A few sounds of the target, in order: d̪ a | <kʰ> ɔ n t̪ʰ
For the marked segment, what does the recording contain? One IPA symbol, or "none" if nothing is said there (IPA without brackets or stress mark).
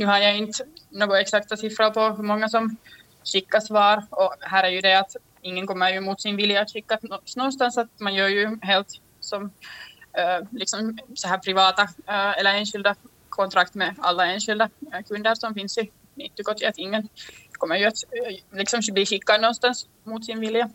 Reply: kʰ